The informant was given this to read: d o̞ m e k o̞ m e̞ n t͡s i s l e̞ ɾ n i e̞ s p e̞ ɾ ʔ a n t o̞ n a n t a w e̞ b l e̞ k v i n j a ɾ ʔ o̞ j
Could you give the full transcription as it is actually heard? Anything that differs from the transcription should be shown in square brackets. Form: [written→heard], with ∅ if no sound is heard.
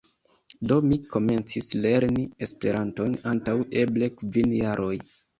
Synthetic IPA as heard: d o̞ m [e→i] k o̞ m e̞ n t͡s i s l e̞ ɾ n i e̞ s p e̞ ɾ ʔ a n t o̞ n a n t a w e̞ b l e̞ k v i n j a ɾ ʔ o̞ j